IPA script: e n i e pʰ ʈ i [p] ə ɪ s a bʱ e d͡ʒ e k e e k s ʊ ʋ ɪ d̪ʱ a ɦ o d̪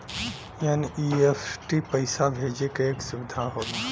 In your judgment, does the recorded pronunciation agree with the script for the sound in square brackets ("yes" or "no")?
yes